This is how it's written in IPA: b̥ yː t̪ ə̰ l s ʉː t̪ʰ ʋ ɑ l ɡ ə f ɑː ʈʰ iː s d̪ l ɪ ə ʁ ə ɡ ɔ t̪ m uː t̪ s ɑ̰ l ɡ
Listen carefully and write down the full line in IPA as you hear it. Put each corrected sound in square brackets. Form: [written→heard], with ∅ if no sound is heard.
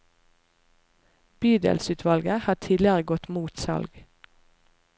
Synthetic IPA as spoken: b̥ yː [t̪→d̪] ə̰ l s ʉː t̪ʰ ʋ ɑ l ɡ ə [f→h] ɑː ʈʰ iː [s→∅] d̪ l ɪ ə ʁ ə ɡ ɔ t̪ m uː t̪ s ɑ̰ l ɡ